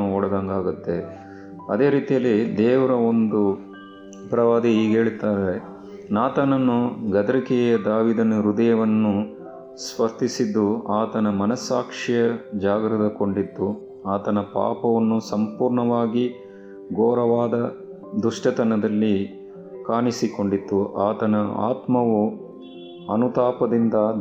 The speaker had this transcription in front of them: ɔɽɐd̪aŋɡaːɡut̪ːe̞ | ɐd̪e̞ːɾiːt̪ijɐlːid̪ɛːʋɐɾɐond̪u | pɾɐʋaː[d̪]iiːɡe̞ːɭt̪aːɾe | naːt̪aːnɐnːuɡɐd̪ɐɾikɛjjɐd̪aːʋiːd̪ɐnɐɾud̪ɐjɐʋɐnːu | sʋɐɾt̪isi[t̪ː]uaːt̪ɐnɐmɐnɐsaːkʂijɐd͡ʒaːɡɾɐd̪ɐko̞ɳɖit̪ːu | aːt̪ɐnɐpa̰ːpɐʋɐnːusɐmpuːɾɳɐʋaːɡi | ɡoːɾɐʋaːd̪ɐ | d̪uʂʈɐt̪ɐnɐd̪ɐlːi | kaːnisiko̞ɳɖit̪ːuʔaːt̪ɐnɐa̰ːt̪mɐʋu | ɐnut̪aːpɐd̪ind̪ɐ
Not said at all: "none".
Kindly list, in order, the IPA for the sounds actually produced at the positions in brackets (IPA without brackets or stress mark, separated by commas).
d̪, d̪ː